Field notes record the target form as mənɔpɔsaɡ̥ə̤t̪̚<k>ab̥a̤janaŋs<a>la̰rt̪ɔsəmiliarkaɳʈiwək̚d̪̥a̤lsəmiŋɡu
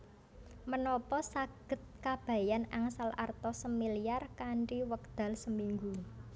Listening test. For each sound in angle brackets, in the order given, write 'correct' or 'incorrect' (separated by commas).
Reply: correct, correct